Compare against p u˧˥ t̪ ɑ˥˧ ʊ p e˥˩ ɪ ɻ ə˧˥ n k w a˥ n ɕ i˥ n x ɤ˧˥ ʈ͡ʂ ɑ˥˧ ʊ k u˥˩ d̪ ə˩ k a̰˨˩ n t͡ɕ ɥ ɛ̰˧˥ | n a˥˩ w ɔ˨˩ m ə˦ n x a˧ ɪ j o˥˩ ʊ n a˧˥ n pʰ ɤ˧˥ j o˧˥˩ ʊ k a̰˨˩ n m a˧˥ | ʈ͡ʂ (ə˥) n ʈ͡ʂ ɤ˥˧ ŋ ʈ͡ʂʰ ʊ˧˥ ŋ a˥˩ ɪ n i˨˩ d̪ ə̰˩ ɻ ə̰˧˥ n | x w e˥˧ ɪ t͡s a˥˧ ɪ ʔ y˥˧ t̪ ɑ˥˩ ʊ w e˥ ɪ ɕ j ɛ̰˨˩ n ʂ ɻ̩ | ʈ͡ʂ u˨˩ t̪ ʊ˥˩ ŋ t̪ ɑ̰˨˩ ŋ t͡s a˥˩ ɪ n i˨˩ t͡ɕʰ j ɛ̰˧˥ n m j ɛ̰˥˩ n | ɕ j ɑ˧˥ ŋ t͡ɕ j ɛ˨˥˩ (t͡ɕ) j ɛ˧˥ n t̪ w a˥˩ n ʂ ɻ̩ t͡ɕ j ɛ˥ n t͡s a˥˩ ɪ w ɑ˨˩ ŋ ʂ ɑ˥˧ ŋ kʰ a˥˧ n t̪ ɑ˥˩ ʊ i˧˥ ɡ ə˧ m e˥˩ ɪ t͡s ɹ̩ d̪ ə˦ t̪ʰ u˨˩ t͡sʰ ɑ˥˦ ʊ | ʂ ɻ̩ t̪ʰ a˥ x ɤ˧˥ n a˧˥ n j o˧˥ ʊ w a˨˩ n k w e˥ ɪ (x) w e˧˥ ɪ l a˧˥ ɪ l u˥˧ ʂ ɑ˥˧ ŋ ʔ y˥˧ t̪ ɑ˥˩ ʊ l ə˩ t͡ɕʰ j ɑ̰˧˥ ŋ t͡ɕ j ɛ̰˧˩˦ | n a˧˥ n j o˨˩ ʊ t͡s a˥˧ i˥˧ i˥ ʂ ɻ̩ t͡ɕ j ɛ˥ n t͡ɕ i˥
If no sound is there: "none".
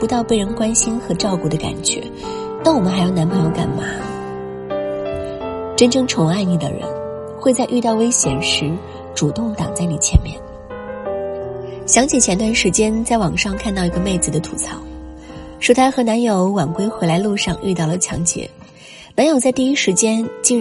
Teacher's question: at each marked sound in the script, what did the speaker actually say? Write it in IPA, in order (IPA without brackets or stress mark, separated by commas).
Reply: ə˥, t͡ɕʰ, x